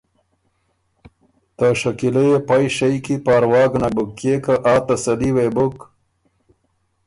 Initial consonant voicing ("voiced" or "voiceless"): voiceless